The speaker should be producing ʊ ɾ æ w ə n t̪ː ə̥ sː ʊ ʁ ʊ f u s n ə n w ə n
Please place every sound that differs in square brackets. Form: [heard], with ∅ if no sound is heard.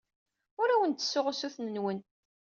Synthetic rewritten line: ʊ ɾ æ w ə n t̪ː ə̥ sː ʊ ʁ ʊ [s] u [θ] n ə n w ə n